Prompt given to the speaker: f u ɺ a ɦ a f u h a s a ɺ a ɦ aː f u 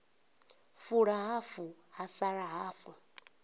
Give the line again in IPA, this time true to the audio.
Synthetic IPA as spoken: f u ɺ a ɦ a f u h a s a ɺ a ɦ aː f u